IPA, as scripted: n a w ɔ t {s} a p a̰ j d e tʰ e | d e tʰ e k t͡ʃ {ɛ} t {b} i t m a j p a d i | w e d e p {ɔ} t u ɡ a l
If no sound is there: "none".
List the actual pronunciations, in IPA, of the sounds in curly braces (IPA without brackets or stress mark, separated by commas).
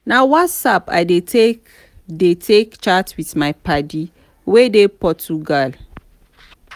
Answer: s, a, w, ɔ